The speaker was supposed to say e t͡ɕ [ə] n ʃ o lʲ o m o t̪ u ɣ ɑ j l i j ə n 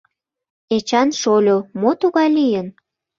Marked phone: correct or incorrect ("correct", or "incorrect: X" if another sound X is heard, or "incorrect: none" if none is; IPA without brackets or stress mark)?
incorrect: ɑ